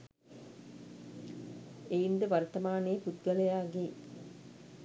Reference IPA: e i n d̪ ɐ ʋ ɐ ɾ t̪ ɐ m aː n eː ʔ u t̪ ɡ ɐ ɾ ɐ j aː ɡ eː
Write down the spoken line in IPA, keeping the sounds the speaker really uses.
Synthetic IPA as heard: e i n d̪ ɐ ʋ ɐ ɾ t̪ ɐ m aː n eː p u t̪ ɡ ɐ l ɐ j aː ɡ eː